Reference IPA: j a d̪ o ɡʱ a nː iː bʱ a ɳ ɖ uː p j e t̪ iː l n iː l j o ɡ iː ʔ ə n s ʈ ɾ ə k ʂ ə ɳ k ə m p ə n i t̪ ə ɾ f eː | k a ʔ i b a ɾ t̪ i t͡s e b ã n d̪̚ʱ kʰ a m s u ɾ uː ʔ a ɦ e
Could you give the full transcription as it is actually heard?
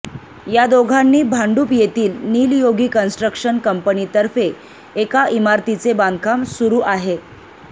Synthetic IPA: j a d̪ o ɡʱ a nː iː bʱ a ɳ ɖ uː p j e t̪ iː l n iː l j o ɡ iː k ə n s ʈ ɾ ə k ʂ ə n k ə m p ə n i t̪ ə ɾ f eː | k a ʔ i m a ɾ t̪ i t͡s e b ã n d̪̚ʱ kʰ a m s u ɾ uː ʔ a ɦ e

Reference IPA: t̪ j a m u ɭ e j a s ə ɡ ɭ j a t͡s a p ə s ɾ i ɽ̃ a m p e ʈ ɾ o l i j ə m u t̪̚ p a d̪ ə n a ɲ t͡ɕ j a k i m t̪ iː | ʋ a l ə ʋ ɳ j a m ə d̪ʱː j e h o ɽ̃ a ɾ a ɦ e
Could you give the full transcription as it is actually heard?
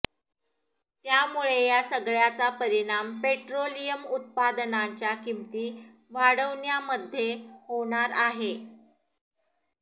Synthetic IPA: t̪ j a m u ɭ e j a s ə ɡ ɭ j a t͡s a p ə ɾ i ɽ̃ a m p e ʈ ɾ o l i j ə m u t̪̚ p a d̪ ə n a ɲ t͡ɕ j a k i m t̪ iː | ʋ a ɽ ə ʋ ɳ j a m ə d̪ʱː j e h o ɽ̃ a ɾ a ɦ e

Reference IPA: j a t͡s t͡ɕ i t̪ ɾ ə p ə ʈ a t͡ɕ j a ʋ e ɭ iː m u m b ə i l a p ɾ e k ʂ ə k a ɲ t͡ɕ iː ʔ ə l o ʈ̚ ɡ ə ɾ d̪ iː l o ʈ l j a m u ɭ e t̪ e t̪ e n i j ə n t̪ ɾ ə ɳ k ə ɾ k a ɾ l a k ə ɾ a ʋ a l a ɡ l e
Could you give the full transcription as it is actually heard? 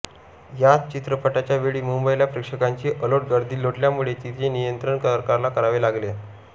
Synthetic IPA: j a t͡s t͡ɕ i t̪ ɾ ə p ə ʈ a t͡ɕ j a ʋ e ɭ iː m u m b ə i l a p ɾ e k ʂ ə k a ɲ t͡ɕ iː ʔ ə l o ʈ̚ ɡ ə ɾ d̪ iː l o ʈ l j a m u ɭ e t̪ i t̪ e n i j ə n t̪ ɾ ə ɳ k ə ɾ k a ɾ l a k ə ɾ a ʋ e l a ɡ l e

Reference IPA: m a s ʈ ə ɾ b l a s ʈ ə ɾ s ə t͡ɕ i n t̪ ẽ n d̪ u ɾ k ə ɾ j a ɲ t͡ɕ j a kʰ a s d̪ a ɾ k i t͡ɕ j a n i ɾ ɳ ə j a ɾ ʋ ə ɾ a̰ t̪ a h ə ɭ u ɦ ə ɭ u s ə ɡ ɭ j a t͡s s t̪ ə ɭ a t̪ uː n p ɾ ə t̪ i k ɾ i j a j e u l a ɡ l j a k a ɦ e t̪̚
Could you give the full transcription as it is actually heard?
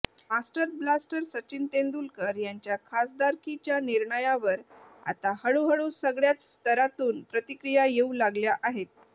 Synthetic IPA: m a s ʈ ə ɾ b l a s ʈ ə ɾ s ə t͡ɕ i n t̪ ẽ n d̪ u l k ə ɾ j a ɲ t͡ɕ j a kʰ a s d̪ a ɾ k i t͡ɕ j a n i ɾ ɳ ə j a ʋ ə ɾ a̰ t̪ a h ə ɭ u ɦ ə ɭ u s ə ɡ ɭ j a t͡s s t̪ ə ɾ a t̪ uː n p ɾ ə t̪ i k ɾ i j a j e u l a ɡ l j a ʔ a ɦ e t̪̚

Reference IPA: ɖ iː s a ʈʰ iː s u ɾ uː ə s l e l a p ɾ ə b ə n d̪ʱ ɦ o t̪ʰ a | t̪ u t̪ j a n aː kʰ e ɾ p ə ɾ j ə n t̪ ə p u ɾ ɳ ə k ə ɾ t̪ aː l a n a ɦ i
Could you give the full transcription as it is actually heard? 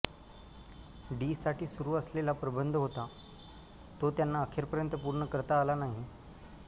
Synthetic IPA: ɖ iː s a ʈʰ iː s u ɾ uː ə s l e l a p ɾ ə b ə n d̪ʱ ɦ o t̪ a | t̪ o t̪ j a nː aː kʰ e ɾ p ə ɾ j ə n t̪ ə p u ɾ ɳ ə k ə ɾ t̪ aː l a n a ɦ i

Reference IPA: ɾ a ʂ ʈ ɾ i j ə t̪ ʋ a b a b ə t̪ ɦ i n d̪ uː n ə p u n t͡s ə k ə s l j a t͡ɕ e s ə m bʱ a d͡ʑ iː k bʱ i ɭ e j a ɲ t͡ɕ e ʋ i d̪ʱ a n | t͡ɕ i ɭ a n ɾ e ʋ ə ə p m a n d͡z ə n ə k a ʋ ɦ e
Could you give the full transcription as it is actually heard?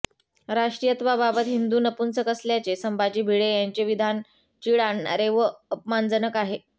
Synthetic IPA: ɾ a ʂ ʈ ɾ i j ə t̪ ʋ a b a b ə t̪ ɦ i n d̪ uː n ə p u n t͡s ə k ə s l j a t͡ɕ e s ə m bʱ a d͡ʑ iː bʱ i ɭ e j a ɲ t͡ɕ e ʋ i d̪ʱ a n | t͡ɕ i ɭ a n ɾ e ʋ ə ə p m a n d͡z ə n ə k a ɦ e

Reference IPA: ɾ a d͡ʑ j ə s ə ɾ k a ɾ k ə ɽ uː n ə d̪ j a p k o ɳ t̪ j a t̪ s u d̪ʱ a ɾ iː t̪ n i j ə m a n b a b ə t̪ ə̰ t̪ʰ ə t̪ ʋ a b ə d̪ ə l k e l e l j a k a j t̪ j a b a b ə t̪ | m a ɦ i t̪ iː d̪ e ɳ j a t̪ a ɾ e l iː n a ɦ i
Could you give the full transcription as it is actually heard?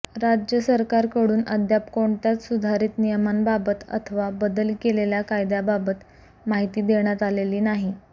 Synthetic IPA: ɾ a d͡ʑ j ə s ə ɾ k a ɾ k ə ɽ uː n ə d̪ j a p k o ɳ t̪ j a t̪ s u d̪ʱ a ɾ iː t̪ n i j ə m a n b a b ə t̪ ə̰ t̪ʰ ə ʋ a b ə d̪ ə l k e l e l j a k a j d̪ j a b a b ə t̪ | m a ɦ i t̪ iː d̪ e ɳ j a t̪ a l e l iː n a ɦ i

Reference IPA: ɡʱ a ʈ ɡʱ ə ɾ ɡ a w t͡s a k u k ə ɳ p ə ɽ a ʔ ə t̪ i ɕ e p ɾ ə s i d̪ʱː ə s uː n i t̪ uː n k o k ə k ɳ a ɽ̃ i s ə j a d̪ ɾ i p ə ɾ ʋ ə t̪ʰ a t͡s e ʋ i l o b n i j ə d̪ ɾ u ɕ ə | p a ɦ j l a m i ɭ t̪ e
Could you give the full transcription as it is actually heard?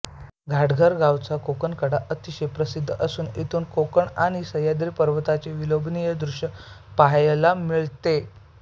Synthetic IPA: ɡʱ a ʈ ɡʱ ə ɾ ɡ a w t͡s a k o k ə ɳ k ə ɽ a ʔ ə t̪ i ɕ e p ɾ ə s i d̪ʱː ə s uː n i t̪ uː n k o k ə ɳ a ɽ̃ i s ə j a d̪ ɾ i p ə ɾ ʋ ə t̪ a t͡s e ʋ i l o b n i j ə d̪ ɾ u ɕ ə | p a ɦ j l a m i ɭ t̪ e

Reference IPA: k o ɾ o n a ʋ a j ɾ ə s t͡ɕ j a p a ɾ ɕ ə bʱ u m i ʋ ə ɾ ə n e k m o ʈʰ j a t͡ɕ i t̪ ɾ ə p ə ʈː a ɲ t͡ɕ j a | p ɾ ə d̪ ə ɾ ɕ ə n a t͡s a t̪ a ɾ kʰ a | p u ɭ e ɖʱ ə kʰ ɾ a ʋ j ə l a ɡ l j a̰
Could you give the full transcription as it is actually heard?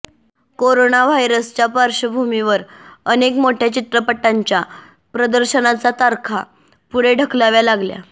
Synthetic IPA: k o ɾ o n a ʋ a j ɾ ə s t͡ɕ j a p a ɾ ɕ ə bʱ u m i ʋ ə ɾ ə n e k m o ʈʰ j a t͡ɕ i t̪ ɾ ə p ə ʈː a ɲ t͡ɕ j a | p ɾ ə d̪ ə ɾ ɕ ə n a t͡s a t̪ a ɾ kʰ a | p u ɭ e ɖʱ ə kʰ l a ʋ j a l a ɡ l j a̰

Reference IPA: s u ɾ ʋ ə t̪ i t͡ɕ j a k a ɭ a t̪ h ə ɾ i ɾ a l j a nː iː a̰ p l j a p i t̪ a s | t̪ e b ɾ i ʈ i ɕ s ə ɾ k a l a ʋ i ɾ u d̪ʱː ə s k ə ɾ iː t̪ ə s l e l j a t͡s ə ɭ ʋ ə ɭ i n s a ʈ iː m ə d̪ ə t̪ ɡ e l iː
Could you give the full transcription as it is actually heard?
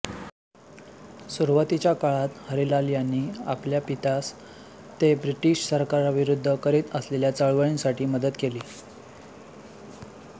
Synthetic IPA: s u ɾ ʋ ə t̪ i t͡ɕ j a k a ɭ a t̪ h ə ɾ i l a l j a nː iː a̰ p l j a p i t̪ a s | t̪ e b ɾ i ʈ i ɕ s ə ɾ k a ɾ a ʋ i ɾ u d̪ʱː ə k ə ɾ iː t̪ ə s l e l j a t͡s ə ɭ ʋ ə ɭ i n s a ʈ iː m ə d̪ ə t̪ k e l iː

